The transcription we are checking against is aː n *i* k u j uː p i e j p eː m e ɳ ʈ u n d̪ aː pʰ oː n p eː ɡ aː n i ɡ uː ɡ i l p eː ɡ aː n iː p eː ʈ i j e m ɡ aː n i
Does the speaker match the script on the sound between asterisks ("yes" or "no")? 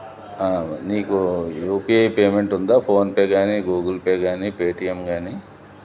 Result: no